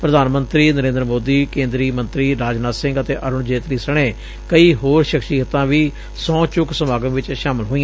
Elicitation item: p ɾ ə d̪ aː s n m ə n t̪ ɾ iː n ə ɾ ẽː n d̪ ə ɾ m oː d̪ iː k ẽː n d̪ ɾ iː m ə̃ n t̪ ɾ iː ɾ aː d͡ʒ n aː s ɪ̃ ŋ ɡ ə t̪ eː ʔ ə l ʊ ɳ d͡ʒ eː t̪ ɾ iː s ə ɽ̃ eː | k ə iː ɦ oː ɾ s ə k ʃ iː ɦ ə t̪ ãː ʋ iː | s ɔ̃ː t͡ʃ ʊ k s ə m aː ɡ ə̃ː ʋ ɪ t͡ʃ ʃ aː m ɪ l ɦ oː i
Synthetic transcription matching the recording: p ɾ ə d̪ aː n m ə n t̪ ɾ iː n ə ɾ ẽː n d̪ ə ɾ m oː d̪ iː k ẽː n d̪ ɾ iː m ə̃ n t̪ ɾ iː ɾ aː d͡ʒ n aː s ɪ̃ ŋ ɡ ə t̪ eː ʔ ə ɾ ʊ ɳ d͡ʒ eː t̪ ɾ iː s ə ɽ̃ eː | k ə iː ɦ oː ɾ ʃ ə k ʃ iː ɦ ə t̪ ãː ʋ iː | s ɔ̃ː t͡ʃ ʊ k s ə m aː ɡ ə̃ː ʋ ɪ t͡ʃ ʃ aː m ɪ l ɦ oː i